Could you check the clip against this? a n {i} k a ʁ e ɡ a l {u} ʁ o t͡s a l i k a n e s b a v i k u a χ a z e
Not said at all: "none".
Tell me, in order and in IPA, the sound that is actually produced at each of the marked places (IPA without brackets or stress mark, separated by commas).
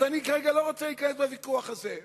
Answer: i, o